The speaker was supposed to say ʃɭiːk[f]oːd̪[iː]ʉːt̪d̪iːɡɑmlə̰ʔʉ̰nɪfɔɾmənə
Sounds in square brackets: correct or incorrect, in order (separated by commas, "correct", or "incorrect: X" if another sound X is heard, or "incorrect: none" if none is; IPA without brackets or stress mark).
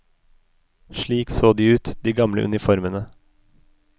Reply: incorrect: s, correct